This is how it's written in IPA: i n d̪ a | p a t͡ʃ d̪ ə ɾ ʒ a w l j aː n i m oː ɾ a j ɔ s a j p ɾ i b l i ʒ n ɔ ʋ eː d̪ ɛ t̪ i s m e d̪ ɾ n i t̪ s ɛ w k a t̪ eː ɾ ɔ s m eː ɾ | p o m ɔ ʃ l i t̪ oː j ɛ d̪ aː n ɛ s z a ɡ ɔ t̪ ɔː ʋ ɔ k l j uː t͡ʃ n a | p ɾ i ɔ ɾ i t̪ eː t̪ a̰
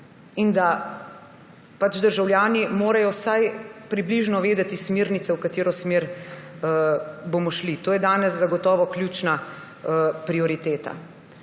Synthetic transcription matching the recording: i n d̪ a | p a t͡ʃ d̪ ə ɾ ʒ a w l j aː n i m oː ɾ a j ɔ s a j p ɾ i b l i ʒ n ɔ ʋ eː d̪ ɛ t̪ i s m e ɾ n i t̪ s ɛ w k a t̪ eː ɾ ɔ s m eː ɾ | b o m ɔ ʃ l i t̪ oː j ɛ d̪ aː n ɛ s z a ɡ ɔ t̪ ɔː ʋ ɔ k l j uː t͡ʃ n a | p ɾ i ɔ ɾ i t̪ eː t̪ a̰